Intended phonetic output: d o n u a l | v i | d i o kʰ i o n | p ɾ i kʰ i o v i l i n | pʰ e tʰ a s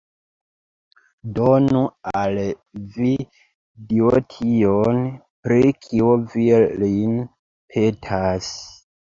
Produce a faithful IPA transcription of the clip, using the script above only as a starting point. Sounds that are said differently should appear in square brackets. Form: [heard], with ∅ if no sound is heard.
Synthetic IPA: d o n u a l | v i | d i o [tʰ] i o n | p ɾ i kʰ i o v i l i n | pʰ e tʰ a s